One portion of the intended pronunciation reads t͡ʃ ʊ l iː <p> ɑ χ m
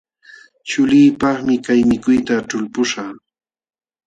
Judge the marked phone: correct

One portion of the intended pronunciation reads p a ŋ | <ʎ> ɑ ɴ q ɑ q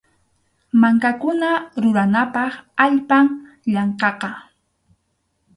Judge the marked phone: correct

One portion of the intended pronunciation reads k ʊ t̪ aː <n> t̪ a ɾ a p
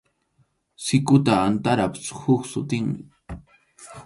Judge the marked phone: correct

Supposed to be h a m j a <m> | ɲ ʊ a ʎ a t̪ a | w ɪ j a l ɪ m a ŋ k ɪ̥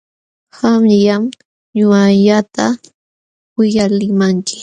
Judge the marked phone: correct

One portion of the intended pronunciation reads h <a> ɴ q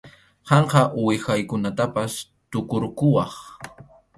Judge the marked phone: incorrect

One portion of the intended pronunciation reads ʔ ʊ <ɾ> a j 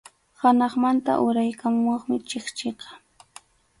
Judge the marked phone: correct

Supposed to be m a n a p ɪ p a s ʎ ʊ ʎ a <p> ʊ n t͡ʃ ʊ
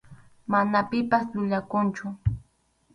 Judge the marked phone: incorrect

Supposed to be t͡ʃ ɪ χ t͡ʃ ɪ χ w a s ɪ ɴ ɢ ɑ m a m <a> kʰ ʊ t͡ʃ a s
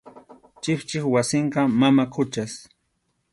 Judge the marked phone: correct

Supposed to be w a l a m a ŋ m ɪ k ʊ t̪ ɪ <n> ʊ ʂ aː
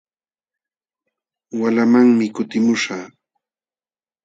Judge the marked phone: incorrect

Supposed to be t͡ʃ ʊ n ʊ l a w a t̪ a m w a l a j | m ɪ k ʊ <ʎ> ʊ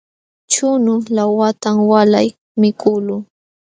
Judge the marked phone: incorrect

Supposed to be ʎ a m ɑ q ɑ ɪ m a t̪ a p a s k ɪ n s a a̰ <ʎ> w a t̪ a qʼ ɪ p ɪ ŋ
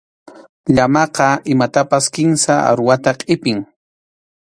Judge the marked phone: incorrect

